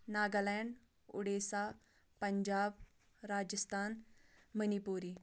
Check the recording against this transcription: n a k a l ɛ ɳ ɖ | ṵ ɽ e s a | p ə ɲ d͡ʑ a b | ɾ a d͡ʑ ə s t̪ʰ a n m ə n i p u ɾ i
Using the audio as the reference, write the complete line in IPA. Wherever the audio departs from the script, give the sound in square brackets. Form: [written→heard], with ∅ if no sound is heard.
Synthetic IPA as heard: n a [k→ɡ] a l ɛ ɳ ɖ | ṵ ɽ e s a | p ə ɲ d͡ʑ a b | ɾ a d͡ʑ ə s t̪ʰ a n m ə n i p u ɾ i